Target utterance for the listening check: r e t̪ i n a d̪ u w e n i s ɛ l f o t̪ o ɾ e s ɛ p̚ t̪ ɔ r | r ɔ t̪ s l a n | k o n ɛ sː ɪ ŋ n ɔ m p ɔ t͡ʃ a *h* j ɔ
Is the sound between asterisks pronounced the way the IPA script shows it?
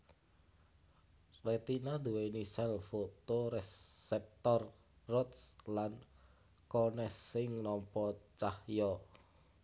yes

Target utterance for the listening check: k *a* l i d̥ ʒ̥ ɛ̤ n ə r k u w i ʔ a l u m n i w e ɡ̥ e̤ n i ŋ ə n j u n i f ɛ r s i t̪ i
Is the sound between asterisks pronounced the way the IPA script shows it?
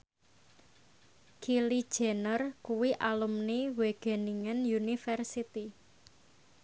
no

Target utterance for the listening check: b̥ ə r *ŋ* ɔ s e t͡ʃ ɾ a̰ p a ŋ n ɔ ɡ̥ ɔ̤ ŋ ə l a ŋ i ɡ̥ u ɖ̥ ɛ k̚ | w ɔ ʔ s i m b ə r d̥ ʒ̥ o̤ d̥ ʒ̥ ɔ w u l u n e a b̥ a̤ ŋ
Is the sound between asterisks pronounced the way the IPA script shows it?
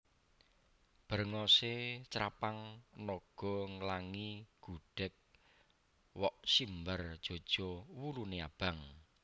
yes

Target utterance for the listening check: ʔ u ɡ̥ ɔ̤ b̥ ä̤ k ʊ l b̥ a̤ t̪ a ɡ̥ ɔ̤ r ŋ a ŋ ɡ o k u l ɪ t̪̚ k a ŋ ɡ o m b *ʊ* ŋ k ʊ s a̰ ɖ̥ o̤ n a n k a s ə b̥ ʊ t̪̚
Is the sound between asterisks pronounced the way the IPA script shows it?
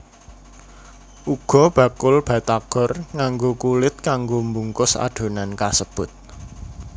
no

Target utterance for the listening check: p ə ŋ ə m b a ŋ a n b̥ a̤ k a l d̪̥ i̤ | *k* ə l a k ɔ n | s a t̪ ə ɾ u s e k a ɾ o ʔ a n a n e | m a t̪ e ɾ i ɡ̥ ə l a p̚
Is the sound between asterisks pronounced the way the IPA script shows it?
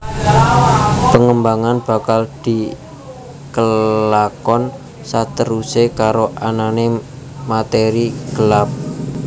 yes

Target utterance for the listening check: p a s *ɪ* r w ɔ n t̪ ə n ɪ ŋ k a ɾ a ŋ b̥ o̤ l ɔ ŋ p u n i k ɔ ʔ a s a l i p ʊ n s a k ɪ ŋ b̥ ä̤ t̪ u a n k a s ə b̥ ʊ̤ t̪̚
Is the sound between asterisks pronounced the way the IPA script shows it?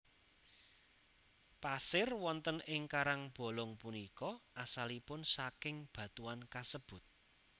yes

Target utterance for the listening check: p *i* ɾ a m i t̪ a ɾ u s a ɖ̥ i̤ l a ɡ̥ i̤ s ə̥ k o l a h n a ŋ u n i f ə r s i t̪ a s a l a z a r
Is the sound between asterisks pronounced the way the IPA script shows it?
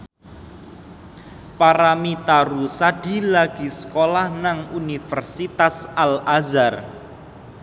no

